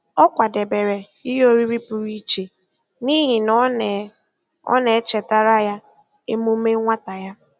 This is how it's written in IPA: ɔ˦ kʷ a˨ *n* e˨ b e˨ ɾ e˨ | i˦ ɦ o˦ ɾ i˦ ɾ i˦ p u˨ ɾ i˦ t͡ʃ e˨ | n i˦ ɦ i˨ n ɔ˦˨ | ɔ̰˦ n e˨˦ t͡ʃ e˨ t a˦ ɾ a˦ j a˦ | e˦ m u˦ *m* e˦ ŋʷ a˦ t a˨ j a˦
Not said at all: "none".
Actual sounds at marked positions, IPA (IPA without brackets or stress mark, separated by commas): d, m